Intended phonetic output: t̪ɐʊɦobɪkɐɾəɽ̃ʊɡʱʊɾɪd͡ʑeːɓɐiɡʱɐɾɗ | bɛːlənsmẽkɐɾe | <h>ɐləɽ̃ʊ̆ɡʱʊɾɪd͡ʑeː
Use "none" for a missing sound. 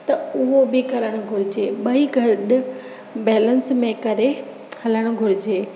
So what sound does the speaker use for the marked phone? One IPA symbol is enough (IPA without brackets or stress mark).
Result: h